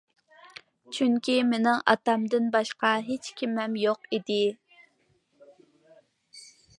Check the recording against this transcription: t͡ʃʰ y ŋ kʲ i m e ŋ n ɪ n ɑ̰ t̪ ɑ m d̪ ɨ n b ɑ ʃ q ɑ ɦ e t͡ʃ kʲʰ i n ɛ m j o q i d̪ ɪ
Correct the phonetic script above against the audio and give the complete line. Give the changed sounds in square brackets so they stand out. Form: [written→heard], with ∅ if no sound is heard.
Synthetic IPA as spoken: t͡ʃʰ y ŋ kʲ i m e [ŋ→∅] n ɪ [n→ŋ] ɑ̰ t̪ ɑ m d̪ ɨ n b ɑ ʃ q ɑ ɦ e t͡ʃ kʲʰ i [n→m] ɛ m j o q i d̪ ɪ